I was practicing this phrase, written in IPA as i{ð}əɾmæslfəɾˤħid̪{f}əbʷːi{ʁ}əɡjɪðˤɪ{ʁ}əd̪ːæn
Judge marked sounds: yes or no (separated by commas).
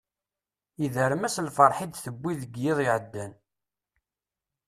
yes, no, no, no